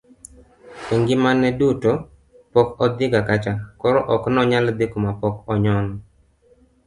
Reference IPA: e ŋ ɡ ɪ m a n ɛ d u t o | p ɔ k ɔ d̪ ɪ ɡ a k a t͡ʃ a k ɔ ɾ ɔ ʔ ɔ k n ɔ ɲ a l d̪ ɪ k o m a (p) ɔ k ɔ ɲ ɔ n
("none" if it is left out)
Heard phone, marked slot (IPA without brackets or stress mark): p